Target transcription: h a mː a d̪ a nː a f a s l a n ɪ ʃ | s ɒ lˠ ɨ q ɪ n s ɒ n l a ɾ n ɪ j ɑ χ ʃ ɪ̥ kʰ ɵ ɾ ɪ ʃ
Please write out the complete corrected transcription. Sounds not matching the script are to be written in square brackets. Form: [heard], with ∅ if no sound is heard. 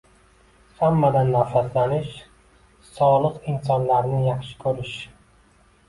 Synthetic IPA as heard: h a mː a d̪ a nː a f a s l a n ɪ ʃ | s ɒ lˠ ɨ q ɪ n s ɒ n l a ɾ n ɪ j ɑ χ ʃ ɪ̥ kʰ ɵ ɾ ɪ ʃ